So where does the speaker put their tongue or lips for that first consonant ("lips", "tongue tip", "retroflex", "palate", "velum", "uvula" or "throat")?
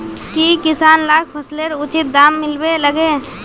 velum